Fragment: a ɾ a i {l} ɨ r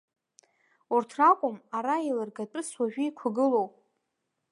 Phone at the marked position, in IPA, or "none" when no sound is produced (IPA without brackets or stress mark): l